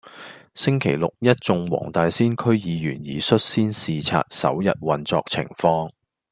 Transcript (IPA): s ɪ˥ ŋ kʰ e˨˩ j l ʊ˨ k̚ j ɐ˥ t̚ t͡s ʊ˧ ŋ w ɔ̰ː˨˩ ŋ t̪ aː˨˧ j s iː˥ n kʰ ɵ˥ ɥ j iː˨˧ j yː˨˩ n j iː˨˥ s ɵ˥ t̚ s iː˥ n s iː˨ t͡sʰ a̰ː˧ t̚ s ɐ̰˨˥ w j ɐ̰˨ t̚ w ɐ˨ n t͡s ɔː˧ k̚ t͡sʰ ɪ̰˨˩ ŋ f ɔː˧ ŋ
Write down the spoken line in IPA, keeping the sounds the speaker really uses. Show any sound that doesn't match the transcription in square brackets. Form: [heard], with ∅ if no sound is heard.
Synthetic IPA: s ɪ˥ ŋ kʰ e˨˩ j l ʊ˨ k̚ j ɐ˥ t̚ t͡s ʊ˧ ŋ w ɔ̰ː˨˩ ŋ t̪ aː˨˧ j s iː˥ n kʰ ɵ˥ ɥ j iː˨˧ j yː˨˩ n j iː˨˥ s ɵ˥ t̚ s iː˥ n s iː˨ t͡sʰ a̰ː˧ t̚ s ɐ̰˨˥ w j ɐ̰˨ t̚ w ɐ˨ n t͡s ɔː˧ k̚ t͡sʰ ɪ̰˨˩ ŋ f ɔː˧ ŋ